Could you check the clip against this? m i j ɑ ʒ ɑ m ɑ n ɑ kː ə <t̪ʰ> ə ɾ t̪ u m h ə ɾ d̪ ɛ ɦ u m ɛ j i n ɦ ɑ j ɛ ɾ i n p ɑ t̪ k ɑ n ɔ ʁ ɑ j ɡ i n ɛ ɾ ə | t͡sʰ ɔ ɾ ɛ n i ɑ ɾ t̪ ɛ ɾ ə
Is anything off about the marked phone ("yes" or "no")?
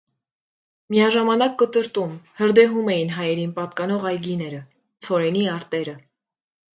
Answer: yes